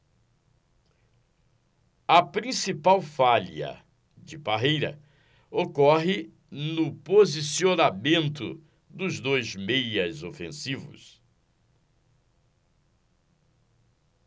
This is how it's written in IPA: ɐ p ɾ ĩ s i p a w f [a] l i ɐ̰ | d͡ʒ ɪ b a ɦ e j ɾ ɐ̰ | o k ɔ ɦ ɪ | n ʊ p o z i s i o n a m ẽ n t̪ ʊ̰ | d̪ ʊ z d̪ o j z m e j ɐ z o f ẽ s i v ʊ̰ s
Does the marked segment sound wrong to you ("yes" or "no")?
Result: no